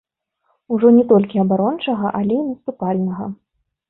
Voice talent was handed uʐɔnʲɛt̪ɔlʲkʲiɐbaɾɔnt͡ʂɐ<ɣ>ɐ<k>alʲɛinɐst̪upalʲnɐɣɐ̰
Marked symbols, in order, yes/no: yes, no

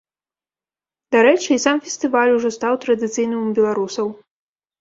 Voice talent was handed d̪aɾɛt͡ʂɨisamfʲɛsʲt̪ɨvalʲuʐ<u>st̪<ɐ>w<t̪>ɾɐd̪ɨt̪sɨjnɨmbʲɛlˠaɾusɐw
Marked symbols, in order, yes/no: no, no, yes

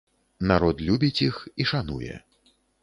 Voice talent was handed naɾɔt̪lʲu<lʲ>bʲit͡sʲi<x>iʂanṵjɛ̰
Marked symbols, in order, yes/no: no, yes

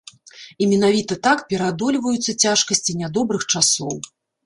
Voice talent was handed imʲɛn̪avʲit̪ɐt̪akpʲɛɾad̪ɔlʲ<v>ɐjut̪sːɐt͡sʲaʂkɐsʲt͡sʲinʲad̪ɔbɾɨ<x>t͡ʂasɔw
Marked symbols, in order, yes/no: yes, yes

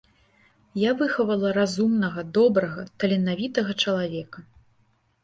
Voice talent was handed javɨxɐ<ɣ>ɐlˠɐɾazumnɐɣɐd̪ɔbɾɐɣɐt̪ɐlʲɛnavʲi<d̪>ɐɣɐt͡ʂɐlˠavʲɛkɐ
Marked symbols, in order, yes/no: no, no

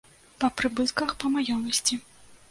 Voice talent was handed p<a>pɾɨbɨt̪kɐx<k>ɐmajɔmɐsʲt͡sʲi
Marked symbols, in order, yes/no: no, no

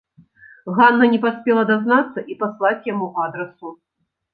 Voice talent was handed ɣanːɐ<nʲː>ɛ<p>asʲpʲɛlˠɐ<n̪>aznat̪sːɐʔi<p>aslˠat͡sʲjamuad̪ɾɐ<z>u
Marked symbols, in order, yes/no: no, yes, no, yes, no

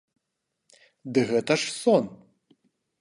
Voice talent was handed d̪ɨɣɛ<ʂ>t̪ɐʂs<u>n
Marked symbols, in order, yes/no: no, no

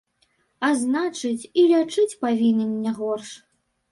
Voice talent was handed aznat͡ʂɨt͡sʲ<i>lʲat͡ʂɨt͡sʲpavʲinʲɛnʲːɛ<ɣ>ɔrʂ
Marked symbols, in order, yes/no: yes, yes

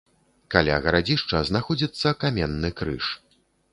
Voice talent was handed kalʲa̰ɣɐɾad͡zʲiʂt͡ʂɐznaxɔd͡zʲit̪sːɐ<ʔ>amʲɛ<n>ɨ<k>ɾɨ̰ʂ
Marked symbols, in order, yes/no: no, no, yes

